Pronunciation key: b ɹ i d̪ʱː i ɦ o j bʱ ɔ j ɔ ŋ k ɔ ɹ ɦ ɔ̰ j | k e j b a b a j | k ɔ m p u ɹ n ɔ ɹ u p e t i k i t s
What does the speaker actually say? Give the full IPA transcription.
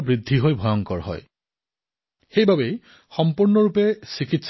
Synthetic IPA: b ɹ i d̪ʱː i ɦ o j bʱ ɔ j ɔ ŋ k ɔ ɹ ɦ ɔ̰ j | x e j b a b e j | x ɔ m p u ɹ n ɔ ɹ u p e s i k i t s